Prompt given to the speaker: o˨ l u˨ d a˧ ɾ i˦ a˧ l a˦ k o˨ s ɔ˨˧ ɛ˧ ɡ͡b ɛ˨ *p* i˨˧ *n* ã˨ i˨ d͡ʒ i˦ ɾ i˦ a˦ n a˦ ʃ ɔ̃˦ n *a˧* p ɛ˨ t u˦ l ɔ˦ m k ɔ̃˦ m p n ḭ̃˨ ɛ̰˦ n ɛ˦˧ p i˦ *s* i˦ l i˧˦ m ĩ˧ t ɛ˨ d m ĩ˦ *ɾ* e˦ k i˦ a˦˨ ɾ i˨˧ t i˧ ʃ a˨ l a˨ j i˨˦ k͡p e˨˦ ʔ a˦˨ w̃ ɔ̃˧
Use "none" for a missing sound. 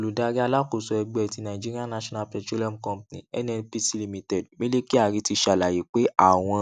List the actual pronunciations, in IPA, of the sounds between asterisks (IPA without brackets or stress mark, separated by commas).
t, n, a˧, s, l